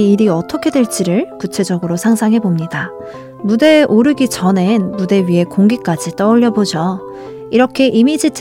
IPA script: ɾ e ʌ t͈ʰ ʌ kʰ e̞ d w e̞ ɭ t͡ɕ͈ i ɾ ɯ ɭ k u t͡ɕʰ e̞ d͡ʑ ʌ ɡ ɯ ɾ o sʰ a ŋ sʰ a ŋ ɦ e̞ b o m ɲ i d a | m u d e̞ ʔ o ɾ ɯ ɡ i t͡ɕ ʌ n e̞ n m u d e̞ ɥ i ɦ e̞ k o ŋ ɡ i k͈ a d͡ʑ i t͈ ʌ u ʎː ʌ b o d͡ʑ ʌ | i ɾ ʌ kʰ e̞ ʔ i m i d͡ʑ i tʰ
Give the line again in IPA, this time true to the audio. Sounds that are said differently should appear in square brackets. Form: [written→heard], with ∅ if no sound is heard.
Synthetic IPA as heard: ɾ [e→i] ʌ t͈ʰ ʌ kʰ e̞ d w e̞ ɭ t͡ɕ͈ i ɾ ɯ ɭ k u t͡ɕʰ e̞ d͡ʑ ʌ ɡ ɯ ɾ o sʰ a ŋ sʰ a ŋ ɦ e̞ b o m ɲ i d a | m u d e̞ ʔ o ɾ ɯ ɡ i t͡ɕ ʌ n e̞ n m u d e̞ ɥ i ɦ e̞ k o ŋ ɡ i k͈ a d͡ʑ i t͈ ʌ u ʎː ʌ b o d͡ʑ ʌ | i ɾ ʌ kʰ e̞ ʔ i m i d͡ʑ i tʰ